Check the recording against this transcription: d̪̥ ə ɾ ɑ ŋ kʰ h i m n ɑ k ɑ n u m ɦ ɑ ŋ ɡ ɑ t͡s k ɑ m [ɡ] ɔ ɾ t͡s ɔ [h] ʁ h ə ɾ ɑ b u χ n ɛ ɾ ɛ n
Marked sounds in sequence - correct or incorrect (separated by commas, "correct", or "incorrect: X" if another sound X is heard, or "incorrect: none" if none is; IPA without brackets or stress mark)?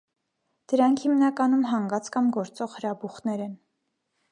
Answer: correct, incorrect: none